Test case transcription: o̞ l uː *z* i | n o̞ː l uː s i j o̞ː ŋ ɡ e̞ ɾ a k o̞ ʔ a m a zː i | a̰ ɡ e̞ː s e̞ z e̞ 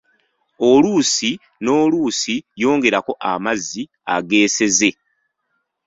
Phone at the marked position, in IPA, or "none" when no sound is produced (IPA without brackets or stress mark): s